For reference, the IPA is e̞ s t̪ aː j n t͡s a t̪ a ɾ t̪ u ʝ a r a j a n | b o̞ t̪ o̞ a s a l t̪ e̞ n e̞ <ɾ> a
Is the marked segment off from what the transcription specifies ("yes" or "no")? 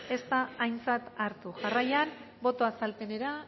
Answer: no